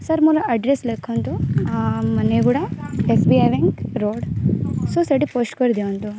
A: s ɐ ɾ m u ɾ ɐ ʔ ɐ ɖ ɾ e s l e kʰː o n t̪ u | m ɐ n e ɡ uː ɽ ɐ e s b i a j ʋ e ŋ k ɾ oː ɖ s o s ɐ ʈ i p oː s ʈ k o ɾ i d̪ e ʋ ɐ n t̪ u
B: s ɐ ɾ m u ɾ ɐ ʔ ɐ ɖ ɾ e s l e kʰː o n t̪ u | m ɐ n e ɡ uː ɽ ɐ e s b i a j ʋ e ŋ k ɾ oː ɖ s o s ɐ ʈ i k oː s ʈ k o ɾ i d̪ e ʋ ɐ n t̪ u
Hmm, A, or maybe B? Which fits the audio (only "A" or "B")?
A